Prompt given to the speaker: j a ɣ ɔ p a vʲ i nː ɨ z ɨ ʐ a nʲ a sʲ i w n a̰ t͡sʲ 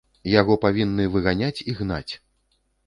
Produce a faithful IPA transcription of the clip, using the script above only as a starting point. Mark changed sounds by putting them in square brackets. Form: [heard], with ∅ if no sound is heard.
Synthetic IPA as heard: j a ɣ ɔ p a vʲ i nː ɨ [v] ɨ [ɣ] a nʲ a [t͡sʲ] i [ɣ] n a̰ t͡sʲ